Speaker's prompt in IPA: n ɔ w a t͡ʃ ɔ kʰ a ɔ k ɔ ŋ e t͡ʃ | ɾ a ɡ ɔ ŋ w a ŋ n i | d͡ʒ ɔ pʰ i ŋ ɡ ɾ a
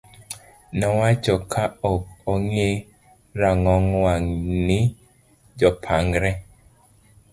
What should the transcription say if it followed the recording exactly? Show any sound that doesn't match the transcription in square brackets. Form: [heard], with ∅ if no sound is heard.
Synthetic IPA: n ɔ w a t͡ʃ ɔ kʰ a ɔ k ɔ ŋ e [∅] | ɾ a [ŋ] ɔ ŋ w a ŋ n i | d͡ʒ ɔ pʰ [a] ŋ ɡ ɾ [ɛ]

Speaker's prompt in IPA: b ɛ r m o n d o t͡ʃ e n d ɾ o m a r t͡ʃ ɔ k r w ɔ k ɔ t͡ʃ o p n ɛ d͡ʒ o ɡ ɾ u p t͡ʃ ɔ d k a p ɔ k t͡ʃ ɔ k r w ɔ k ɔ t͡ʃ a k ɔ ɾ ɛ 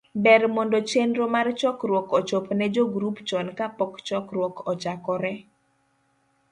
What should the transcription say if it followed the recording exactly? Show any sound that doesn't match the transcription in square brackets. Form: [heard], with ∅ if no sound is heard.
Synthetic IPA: b ɛ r m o n d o t͡ʃ e n d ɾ o m a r t͡ʃ ɔ k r w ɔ k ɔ t͡ʃ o p n ɛ d͡ʒ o ɡ ɾ u p t͡ʃ ɔ [n] k a p ɔ k t͡ʃ ɔ k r w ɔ k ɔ t͡ʃ a k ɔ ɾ ɛ

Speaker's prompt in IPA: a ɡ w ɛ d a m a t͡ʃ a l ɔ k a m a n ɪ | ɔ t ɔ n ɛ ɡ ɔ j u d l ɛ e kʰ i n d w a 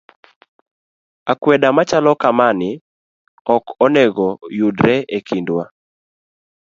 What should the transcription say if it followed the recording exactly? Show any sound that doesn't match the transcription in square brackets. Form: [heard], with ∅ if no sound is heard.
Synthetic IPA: a [k] w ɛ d a m a t͡ʃ a l ɔ k a m a n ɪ | ɔ [k] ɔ n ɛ ɡ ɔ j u d [ɾ] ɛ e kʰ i n d w a

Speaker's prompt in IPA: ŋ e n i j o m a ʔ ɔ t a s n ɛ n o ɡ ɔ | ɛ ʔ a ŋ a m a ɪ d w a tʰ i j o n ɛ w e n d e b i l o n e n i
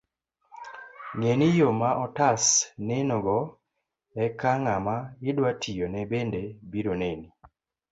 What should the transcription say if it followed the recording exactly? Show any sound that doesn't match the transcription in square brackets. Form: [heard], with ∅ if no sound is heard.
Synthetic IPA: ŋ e n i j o m a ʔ ɔ t a s n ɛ n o ɡ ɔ | ɛ [k] a ŋ a m a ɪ d w a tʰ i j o n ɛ [b] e n d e b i [ɾ] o n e n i

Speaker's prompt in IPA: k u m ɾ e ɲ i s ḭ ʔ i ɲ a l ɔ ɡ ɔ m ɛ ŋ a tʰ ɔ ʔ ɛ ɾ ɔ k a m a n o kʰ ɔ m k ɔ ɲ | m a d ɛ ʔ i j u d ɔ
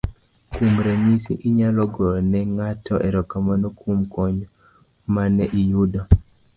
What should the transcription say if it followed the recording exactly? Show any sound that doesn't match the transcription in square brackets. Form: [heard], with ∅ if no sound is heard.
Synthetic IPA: k u m ɾ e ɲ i s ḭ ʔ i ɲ a l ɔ ɡ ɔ [n] ɛ ŋ a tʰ ɔ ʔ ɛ ɾ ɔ k a m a n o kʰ [u] m k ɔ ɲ | m a [n] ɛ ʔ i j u d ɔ

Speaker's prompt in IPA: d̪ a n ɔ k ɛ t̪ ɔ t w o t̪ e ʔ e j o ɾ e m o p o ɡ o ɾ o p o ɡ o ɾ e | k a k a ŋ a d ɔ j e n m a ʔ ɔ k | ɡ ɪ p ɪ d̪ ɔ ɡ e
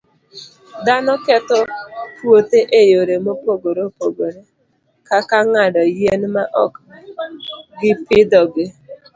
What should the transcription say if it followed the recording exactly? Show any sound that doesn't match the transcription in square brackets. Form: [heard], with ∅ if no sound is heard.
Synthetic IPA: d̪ a n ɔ k ɛ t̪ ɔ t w o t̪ e ʔ e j o ɾ e m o p o ɡ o ɾ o p o ɡ o ɾ e | k a k a ŋ a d ɔ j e n m a ʔ ɔ k | ɡ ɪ p ɪ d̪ ɔ ɡ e

